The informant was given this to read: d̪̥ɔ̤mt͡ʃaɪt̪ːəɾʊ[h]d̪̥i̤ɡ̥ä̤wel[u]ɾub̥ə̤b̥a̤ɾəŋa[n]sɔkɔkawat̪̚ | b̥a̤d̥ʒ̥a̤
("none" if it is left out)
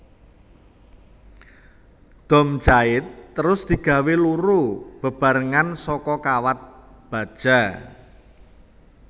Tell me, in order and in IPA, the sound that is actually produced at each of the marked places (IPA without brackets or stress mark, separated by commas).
s, u, n